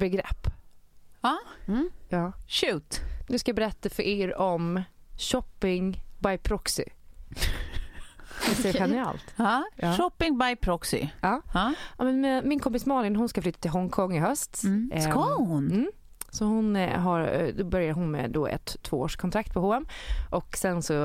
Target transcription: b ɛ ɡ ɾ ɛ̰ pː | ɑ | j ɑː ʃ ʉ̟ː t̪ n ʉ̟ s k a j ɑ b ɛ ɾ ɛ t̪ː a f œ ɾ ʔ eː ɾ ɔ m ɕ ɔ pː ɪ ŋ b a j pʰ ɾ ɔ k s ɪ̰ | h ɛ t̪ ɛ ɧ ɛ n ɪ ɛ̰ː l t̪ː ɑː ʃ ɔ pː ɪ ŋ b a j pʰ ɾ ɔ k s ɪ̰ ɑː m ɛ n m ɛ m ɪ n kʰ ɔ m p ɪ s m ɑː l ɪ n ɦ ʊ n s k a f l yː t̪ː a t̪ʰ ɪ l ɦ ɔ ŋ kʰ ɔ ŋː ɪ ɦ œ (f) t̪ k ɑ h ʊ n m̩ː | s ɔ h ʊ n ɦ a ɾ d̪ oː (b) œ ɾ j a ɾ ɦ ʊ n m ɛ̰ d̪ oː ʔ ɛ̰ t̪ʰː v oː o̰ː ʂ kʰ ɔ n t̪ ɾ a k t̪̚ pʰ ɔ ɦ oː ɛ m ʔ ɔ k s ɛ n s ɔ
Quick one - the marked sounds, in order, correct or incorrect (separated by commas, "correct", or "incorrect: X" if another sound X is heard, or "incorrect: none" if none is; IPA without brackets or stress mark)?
incorrect: s, correct